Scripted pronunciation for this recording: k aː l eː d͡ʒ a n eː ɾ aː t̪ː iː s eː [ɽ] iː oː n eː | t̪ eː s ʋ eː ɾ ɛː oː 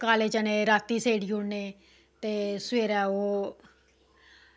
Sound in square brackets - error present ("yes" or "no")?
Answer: no